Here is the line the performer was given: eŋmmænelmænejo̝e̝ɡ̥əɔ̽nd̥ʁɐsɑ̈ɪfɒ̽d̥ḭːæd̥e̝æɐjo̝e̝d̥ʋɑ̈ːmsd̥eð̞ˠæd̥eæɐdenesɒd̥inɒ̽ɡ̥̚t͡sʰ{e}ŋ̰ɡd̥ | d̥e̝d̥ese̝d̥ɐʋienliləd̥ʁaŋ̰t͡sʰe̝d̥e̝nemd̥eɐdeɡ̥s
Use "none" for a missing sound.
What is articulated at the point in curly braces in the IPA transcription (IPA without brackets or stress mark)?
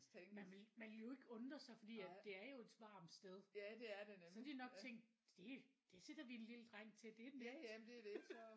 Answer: e